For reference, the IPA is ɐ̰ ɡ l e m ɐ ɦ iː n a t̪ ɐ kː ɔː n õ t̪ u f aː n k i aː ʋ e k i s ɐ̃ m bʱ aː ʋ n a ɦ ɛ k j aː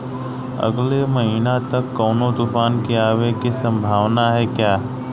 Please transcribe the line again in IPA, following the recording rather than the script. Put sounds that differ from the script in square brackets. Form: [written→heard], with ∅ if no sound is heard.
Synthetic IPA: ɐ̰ ɡ l e m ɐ ɦ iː n a t̪ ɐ kː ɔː n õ t̪ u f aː n k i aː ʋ e k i s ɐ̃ m bʱ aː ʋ n a ɦ ɛ k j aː

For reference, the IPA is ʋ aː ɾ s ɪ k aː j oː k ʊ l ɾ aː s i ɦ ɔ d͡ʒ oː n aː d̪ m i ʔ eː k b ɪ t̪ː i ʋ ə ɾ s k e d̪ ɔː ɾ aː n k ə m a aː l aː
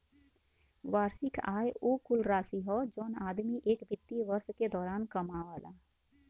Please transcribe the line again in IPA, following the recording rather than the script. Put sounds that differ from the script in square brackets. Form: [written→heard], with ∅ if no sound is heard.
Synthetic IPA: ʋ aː ɾ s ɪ k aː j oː k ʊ l ɾ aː s i ɦ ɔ d͡ʒ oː n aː d̪ m i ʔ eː k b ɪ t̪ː i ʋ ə ɾ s k e d̪ ɔː ɾ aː n k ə m a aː l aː

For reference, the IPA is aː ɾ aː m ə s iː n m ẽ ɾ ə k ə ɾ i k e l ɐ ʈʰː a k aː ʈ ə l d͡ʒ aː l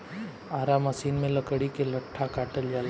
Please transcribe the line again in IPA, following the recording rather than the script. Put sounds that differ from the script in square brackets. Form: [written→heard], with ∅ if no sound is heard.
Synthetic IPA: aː ɾ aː m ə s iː n m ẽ [ɾ→l] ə k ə [ɾ→ɽ] i k e l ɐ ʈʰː a k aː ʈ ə l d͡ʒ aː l

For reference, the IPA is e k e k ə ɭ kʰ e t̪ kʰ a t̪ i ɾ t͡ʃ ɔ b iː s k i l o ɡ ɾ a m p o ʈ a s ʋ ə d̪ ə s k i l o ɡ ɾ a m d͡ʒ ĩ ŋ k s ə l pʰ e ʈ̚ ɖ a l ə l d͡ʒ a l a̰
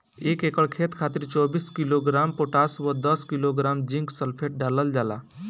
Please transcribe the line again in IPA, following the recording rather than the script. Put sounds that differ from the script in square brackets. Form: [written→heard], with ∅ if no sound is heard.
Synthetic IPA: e k e k ə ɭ kʰ e t̪ kʰ a t̪ i ɾ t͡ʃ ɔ b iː s k i l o ɡ ɾ a m p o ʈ a s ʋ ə d̪ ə s k i l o ɡ ɾ a m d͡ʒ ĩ ŋ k s ə l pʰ e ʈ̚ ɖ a l ə l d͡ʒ a l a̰

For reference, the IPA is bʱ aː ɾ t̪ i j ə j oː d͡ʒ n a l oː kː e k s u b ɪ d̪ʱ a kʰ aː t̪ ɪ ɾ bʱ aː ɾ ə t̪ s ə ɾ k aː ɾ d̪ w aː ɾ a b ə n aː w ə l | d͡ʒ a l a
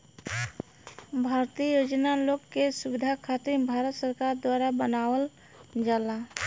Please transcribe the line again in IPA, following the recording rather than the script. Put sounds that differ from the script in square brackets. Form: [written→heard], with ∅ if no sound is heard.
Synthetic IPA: bʱ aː ɾ t̪ i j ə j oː d͡ʒ n a l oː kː e [k→∅] s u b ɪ d̪ʱ a kʰ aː t̪ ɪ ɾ bʱ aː ɾ ə t̪ s ə ɾ k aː ɾ d̪ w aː ɾ a b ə n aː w ə l | d͡ʒ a l a

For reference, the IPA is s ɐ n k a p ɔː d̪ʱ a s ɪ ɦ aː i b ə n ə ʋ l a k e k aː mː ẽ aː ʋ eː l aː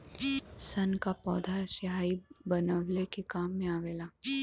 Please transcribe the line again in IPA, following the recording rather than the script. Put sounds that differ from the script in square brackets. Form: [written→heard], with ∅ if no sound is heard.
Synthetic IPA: s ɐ n k a p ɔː d̪ʱ a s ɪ ɦ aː i b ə n ə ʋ l [a→e] k e k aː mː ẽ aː ʋ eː l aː

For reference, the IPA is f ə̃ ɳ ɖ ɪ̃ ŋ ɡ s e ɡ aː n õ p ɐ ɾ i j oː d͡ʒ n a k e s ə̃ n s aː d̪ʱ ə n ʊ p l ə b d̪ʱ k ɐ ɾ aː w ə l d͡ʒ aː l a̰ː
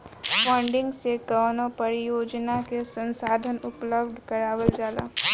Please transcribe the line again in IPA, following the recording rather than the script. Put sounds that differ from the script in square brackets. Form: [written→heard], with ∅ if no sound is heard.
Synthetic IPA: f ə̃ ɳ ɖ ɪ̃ ŋ ɡ s e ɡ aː n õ p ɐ ɾ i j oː d͡ʒ n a k e s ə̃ n s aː d̪ʱ ə n ʊ p l ə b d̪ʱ k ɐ ɾ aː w ə l d͡ʒ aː l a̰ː

